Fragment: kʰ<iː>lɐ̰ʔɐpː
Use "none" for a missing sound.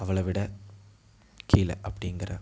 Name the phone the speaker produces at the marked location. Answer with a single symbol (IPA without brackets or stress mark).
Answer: iː